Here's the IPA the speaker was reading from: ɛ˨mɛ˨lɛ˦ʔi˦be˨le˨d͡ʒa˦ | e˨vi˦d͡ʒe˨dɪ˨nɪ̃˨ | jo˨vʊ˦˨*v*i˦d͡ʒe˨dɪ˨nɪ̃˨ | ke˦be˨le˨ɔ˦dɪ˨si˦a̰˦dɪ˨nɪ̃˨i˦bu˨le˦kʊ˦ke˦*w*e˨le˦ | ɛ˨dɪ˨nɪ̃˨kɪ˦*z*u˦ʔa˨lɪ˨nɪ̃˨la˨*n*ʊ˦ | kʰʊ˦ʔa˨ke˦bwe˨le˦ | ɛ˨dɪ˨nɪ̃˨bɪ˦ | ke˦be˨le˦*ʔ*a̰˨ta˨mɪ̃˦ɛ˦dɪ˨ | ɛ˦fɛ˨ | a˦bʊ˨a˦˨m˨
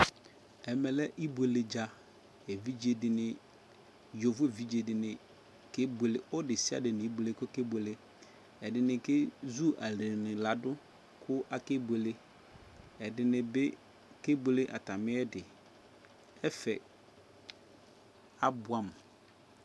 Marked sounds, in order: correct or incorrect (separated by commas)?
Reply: correct, incorrect, correct, incorrect, correct